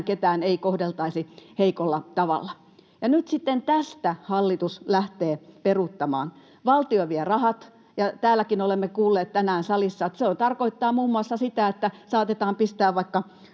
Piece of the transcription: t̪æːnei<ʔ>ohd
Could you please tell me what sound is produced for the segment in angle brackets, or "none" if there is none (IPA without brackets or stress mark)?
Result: k